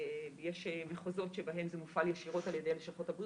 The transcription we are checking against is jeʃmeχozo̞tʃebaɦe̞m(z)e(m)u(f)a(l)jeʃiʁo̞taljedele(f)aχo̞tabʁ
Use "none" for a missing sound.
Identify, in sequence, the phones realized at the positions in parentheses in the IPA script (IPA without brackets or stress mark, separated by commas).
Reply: z, m, f, l, ʃ